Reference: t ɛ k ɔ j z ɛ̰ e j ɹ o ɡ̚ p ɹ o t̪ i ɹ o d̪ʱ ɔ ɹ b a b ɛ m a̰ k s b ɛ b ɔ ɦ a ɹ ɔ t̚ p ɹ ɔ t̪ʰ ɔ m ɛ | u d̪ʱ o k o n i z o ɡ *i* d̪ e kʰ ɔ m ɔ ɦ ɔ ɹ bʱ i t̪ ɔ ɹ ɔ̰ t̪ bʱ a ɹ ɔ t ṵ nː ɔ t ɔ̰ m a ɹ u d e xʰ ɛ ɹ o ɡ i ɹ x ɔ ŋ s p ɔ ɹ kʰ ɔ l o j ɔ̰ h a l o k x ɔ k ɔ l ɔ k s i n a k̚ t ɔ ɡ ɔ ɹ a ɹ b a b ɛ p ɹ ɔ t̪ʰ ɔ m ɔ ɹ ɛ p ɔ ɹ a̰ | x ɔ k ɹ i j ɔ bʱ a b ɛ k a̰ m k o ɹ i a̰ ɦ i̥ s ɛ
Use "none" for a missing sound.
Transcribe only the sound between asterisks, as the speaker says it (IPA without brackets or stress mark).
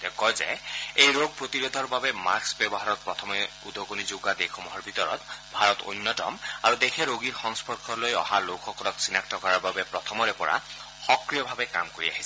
a